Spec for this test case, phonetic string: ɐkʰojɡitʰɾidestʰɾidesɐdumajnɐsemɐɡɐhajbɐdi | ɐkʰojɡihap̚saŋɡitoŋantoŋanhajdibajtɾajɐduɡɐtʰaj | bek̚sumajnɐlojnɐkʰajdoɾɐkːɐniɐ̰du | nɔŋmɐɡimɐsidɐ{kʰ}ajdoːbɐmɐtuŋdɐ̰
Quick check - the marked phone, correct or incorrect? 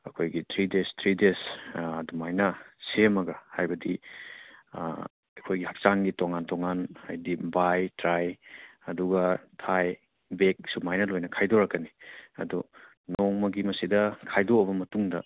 correct